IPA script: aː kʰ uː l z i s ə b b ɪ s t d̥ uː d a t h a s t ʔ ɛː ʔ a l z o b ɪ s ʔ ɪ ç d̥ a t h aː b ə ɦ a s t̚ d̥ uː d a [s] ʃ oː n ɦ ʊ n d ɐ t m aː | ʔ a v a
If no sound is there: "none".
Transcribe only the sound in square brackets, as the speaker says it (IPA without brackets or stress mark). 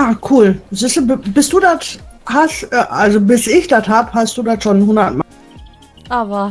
t